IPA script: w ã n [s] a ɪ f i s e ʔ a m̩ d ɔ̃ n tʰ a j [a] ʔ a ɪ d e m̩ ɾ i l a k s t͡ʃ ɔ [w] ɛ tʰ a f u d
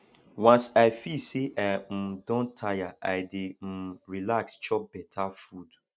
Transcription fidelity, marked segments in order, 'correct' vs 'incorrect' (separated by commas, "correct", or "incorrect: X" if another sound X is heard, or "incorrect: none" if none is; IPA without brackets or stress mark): correct, correct, incorrect: b